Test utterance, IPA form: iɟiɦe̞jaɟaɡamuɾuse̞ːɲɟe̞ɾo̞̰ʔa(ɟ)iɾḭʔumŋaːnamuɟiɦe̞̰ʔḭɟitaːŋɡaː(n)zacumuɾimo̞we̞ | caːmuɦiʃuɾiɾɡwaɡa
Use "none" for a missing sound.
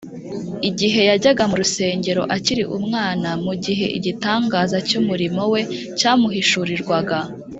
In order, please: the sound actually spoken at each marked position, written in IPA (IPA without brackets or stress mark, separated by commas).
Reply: c, none